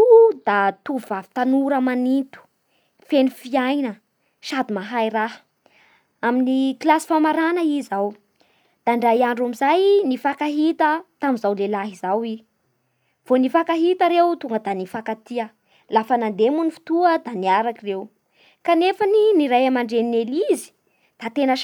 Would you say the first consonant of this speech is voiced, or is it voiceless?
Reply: voiced